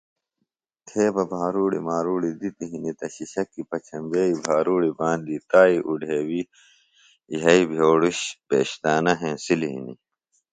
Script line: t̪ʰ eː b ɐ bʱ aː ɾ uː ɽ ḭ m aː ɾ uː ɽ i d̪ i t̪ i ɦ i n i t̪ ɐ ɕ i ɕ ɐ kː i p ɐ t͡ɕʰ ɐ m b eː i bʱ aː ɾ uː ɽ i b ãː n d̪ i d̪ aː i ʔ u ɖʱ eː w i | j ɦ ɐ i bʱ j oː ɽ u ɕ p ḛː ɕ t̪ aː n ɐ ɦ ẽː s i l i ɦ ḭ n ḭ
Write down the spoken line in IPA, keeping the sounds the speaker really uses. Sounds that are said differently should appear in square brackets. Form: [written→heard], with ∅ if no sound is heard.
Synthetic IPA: t̪ʰ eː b ɐ bʱ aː ɾ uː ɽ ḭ m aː ɾ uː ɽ i d̪ i t̪ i ɦ i n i t̪ ɐ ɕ i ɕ ɐ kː i p ɐ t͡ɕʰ ɐ m b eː i bʱ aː ɾ uː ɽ i b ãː n d̪ i [d̪→t̪] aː i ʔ u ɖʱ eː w i | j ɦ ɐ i bʱ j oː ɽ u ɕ p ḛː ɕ t̪ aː n ɐ ɦ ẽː s i l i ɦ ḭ n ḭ